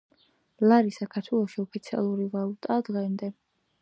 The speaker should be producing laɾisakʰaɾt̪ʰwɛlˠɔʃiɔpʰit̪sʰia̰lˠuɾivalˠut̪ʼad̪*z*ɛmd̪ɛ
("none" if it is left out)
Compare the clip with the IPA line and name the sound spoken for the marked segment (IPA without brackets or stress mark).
ʁ